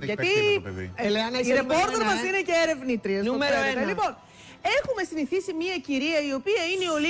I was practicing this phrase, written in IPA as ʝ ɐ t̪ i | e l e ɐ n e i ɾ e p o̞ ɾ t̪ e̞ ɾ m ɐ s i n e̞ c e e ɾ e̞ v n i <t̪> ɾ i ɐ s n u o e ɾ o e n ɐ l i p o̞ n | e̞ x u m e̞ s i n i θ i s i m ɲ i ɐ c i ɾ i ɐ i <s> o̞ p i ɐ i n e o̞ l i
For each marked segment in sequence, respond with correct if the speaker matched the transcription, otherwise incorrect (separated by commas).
correct, incorrect